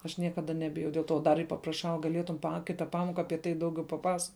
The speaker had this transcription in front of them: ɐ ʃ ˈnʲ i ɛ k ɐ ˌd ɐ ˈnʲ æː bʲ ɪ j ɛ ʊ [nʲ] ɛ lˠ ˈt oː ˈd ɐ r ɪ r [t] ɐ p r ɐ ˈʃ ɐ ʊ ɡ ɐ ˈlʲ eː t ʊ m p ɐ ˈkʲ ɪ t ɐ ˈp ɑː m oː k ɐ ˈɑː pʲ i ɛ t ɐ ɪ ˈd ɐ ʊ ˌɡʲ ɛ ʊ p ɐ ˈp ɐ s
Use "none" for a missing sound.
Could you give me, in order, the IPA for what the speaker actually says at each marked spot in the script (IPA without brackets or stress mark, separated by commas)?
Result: dʲ, p